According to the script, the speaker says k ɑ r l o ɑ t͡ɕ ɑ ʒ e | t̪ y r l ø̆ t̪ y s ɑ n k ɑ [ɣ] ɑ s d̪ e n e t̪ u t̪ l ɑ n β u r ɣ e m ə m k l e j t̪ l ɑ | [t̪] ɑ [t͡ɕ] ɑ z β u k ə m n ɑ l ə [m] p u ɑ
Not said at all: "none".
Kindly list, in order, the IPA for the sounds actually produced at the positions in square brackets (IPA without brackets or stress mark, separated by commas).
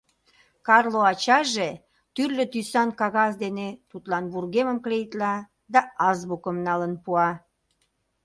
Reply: ɣ, d̪, none, n